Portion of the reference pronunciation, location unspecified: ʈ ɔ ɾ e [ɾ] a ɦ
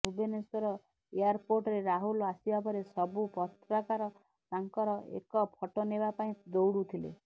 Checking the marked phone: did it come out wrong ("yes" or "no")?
no